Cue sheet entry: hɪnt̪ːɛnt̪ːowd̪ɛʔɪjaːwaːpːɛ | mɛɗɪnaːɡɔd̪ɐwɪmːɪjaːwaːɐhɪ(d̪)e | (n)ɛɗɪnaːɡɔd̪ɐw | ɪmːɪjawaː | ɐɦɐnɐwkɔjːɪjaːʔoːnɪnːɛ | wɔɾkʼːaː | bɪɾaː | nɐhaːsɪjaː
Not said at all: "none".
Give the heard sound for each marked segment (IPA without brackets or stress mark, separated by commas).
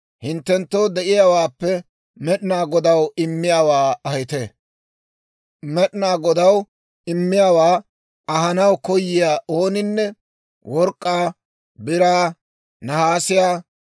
t̪, m